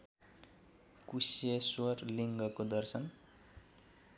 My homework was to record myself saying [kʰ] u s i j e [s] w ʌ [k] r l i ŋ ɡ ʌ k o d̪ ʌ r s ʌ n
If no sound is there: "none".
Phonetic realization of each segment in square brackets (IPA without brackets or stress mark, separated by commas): k, s, none